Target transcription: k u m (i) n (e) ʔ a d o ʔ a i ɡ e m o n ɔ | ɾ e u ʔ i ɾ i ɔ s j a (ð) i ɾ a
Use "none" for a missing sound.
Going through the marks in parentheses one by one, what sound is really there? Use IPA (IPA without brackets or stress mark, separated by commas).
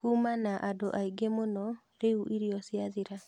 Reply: a, a, ð